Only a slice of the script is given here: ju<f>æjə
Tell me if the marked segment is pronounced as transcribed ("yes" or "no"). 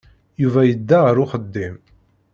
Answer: no